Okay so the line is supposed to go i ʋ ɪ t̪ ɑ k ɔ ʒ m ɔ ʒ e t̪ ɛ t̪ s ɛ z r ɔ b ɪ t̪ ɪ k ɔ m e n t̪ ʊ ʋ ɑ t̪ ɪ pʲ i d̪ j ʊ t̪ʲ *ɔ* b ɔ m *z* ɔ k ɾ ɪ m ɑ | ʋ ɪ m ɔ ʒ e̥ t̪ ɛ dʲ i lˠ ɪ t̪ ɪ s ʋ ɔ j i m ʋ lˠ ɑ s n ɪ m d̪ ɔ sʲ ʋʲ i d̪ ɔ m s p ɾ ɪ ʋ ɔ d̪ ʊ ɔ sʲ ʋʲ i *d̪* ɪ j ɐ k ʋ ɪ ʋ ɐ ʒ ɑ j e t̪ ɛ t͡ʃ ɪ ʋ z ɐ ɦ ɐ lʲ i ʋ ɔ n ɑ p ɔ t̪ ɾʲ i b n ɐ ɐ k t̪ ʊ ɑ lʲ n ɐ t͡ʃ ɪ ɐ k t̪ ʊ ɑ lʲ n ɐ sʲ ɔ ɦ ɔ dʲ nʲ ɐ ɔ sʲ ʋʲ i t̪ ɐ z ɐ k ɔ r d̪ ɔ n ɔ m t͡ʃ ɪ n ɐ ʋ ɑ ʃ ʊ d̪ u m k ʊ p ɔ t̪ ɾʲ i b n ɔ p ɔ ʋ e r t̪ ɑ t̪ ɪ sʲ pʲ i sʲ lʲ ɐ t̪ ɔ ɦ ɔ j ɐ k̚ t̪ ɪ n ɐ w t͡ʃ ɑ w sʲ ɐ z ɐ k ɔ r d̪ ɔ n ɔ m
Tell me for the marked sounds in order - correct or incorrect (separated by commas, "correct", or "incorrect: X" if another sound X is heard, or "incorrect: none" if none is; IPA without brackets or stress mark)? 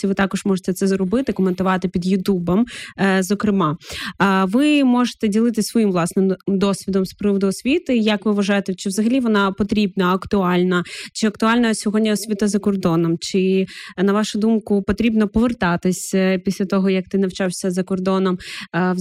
incorrect: u, correct, incorrect: t̪